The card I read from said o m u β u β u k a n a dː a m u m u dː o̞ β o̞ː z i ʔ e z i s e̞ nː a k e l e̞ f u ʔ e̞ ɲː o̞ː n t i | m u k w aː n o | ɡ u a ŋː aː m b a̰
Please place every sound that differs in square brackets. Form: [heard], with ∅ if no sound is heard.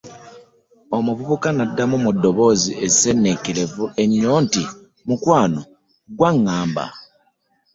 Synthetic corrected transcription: o m u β u β u k a n a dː a m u m u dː o̞ β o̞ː z i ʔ e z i s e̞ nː [e] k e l e̞ [v] u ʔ e̞ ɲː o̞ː n t i | m u k w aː n o | ɡ [w] a ŋː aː m b a̰